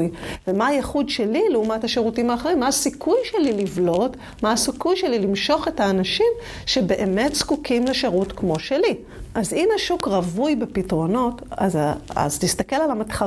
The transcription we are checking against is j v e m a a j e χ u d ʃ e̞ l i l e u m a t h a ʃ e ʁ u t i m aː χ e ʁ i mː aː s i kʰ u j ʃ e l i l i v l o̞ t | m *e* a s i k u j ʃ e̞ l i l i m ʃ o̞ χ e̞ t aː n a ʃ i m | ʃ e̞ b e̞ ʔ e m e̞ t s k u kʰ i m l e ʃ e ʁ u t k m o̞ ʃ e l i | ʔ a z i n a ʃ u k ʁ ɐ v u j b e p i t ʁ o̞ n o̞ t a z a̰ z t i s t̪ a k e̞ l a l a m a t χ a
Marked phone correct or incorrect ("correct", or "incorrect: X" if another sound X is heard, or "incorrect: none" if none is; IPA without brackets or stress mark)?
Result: incorrect: a